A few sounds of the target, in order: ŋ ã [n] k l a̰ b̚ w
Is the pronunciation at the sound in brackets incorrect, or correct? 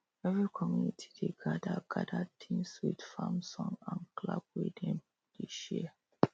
correct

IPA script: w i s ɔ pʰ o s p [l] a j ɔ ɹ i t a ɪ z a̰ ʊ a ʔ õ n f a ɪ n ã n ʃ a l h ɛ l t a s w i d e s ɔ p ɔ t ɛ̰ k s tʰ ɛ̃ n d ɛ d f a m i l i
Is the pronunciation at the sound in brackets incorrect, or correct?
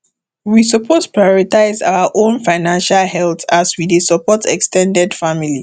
incorrect: ɹ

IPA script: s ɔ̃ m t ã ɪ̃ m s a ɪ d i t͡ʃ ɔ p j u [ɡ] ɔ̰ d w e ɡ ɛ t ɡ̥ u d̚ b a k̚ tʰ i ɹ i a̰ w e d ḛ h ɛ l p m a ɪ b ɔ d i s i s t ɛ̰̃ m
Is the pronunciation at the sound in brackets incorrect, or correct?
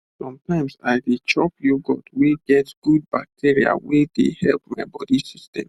correct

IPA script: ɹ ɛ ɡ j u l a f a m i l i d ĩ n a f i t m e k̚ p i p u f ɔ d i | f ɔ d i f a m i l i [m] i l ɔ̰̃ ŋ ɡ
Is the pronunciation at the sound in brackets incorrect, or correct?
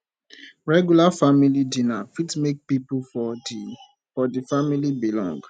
incorrect: b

